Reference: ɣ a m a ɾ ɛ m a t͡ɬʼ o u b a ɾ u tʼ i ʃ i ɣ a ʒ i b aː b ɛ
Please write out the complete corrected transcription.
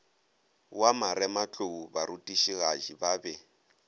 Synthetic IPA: w a m a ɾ ɛ m a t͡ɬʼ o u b a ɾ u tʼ i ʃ i ɣ a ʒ i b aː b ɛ